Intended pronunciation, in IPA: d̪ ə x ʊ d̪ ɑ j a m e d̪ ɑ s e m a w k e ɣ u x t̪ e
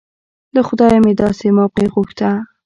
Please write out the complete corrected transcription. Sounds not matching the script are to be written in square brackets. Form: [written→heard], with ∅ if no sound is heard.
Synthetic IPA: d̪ ə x ʊ d̪ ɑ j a m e d̪ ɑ s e m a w [k→q] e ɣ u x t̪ [e→a]